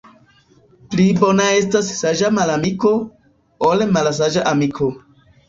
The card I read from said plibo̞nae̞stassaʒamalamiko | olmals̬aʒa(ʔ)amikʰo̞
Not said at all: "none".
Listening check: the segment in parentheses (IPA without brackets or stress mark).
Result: ʔ